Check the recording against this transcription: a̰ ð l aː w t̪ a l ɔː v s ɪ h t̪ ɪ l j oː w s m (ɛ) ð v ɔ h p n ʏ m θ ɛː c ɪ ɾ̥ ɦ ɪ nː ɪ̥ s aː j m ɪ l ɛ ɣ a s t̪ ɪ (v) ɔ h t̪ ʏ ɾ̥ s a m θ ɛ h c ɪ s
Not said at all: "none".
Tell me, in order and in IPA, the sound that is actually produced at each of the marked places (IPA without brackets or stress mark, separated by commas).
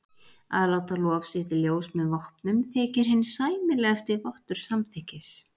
ɛ, v